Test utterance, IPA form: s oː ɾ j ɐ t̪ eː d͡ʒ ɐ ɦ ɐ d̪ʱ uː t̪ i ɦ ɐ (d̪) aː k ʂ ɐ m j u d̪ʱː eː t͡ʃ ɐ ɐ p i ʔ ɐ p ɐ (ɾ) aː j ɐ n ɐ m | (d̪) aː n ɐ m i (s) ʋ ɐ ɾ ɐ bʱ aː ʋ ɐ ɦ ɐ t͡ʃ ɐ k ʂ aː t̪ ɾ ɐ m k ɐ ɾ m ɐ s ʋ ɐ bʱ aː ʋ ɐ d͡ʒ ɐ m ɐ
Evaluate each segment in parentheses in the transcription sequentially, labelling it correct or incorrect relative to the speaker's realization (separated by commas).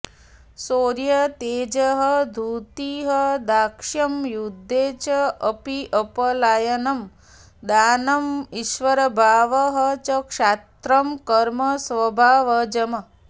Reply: correct, incorrect, correct, incorrect